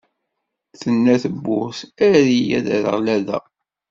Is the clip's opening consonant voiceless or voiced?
voiceless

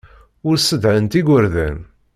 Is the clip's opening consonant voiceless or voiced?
voiced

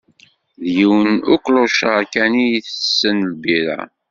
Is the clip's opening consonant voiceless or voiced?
voiced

